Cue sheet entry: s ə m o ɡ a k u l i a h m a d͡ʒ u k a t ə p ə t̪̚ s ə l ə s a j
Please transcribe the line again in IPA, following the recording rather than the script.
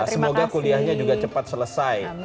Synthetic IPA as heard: s ə m o ɡ a k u l i a h ɲ a d͡ʒ u ɡ a t͡ʃ ə p a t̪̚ s ə l ə s a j